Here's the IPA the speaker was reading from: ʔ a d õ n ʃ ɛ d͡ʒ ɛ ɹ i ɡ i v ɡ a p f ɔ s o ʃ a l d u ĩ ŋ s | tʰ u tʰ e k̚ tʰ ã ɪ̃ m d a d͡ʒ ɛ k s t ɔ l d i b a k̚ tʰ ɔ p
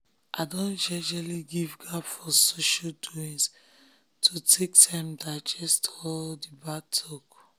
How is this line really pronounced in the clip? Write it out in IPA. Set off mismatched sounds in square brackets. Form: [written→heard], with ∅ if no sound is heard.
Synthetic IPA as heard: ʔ a d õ n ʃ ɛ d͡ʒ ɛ [ɹ→l] i ɡ i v ɡ a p f ɔ s o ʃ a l d u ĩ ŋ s | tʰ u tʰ e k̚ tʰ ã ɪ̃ m d a d͡ʒ ɛ [k→∅] s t ɔ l d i b a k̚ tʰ ɔ [p→k]